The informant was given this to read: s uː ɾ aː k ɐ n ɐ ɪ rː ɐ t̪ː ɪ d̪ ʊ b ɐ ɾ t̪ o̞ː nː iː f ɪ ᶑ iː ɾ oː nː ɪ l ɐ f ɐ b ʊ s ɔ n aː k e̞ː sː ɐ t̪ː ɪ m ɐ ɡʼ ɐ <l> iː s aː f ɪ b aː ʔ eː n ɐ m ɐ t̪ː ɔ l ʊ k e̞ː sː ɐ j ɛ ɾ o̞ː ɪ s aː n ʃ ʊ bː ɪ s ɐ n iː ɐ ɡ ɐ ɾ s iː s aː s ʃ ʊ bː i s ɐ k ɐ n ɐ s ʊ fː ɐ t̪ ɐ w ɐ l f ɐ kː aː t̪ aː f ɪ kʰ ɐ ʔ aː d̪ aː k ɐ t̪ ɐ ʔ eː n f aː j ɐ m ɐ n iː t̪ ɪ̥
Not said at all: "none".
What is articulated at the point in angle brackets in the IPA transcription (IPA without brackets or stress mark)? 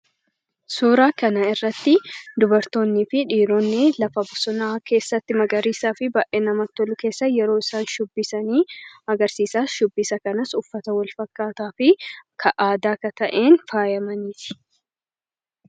ɾ